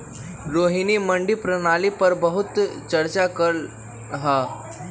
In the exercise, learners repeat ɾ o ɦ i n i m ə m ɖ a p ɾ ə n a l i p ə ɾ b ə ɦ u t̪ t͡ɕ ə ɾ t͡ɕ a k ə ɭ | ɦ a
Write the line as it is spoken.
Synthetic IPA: ɾ o ɦ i n i m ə ɳ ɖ i p ɾ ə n a l i p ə ɾ b ə ɦ u t̪ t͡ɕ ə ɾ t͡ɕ a k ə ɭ | ɦ a